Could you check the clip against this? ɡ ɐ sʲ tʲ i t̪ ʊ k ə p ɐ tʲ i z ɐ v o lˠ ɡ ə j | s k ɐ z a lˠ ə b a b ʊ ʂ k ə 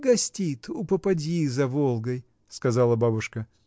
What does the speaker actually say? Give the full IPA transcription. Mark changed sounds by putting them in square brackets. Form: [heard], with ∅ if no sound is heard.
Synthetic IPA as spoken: ɡ ɐ sʲ tʲ i t̪ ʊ [p] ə p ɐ [dʲ] i z ɐ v o lˠ ɡ ə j | s k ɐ z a lˠ ə b a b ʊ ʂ k ə